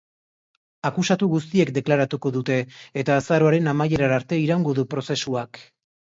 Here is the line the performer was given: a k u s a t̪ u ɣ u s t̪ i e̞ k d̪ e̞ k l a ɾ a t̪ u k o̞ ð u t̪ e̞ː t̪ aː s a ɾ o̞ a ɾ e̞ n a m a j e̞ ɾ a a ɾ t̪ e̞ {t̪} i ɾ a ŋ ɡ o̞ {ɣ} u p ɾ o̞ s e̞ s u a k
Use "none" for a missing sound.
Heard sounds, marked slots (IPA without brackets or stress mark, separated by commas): none, ð